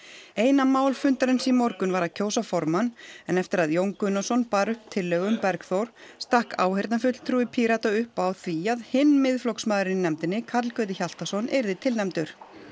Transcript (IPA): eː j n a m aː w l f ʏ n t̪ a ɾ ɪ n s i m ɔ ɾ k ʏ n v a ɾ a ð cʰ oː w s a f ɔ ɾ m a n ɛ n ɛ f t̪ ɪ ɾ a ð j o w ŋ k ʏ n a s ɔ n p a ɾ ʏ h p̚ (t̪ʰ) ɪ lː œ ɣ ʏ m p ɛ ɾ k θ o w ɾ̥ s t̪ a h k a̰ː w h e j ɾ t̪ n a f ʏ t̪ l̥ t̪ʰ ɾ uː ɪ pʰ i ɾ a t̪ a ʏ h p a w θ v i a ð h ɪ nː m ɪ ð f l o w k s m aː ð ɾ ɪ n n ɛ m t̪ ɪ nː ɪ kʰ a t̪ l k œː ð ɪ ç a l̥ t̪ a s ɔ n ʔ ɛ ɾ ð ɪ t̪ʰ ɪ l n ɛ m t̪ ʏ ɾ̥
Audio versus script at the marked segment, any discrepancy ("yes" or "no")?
no